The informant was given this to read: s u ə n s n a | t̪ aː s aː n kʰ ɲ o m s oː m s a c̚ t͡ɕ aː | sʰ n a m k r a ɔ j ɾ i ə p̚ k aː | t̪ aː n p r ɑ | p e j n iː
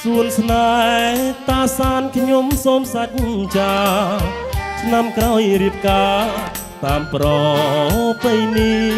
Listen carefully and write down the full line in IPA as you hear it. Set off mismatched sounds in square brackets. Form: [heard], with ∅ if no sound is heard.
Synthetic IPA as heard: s u ə n s n a | t̪ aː s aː n kʰ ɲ o m s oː m s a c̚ t͡ɕ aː | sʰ n a m k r a ɔ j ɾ i ə p̚ k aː | t̪ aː [m] p r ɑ | p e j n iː